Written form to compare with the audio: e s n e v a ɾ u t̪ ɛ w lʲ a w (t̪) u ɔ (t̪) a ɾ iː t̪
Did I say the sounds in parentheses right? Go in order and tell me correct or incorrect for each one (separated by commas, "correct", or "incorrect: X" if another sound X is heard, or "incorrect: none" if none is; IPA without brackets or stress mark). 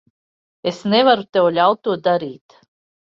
correct, incorrect: d̪